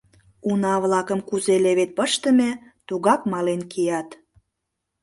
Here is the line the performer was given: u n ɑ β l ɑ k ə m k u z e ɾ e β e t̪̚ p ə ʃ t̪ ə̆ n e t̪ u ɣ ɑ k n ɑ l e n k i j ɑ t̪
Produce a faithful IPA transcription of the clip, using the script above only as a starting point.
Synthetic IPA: u n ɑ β l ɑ k ə m k u z e l e β e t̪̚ p ə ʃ t̪ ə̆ m e t̪ u ɣ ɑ k m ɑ l e n k i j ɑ t̪